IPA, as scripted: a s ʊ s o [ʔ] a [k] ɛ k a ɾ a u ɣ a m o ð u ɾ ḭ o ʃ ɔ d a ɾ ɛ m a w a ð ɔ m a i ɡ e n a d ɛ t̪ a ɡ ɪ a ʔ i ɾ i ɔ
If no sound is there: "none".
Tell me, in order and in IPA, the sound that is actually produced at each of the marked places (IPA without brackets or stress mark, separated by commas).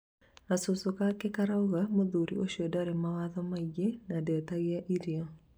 k, k